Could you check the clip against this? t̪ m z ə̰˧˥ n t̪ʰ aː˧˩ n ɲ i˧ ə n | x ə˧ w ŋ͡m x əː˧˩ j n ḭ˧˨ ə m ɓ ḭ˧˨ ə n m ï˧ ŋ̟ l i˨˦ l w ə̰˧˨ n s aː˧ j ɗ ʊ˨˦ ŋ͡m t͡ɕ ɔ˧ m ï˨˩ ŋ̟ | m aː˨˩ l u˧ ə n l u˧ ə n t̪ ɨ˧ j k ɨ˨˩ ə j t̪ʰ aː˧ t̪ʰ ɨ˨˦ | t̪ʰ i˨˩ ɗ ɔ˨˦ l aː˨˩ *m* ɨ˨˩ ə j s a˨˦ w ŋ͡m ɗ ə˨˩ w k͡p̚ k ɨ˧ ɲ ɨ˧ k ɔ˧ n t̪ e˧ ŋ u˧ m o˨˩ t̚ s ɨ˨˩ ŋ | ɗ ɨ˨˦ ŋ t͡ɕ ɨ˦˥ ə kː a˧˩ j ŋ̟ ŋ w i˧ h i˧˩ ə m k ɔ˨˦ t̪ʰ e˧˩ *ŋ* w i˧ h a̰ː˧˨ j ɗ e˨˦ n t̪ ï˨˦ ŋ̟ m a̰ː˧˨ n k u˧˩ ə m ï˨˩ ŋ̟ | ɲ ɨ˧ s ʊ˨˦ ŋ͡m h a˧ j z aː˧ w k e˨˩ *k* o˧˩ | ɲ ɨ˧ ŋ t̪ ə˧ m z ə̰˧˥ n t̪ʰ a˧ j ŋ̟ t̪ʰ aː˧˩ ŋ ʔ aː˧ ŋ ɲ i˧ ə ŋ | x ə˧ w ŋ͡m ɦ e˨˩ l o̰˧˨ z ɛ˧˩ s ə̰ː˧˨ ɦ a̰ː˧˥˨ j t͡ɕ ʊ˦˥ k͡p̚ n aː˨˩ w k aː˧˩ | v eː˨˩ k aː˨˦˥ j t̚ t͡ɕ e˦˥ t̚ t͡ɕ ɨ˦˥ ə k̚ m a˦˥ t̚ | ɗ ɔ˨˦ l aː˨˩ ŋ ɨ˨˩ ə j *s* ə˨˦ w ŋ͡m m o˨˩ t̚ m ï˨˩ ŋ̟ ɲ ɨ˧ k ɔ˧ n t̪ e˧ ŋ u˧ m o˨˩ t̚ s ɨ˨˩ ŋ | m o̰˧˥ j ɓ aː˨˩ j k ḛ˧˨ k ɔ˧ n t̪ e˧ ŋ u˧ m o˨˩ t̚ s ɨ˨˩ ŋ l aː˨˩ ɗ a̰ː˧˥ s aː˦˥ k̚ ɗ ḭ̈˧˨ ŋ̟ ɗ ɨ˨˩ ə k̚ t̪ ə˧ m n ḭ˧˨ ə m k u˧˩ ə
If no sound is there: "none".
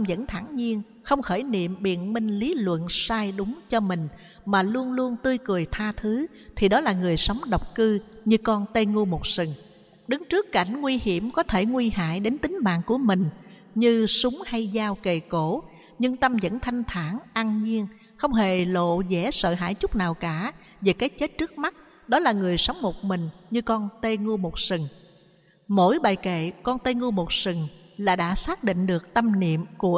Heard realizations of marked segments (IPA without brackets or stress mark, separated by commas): ŋ, ŋ, k, s